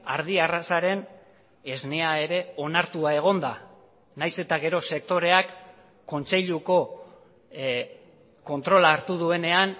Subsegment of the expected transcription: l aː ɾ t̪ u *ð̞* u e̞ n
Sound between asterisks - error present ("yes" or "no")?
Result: no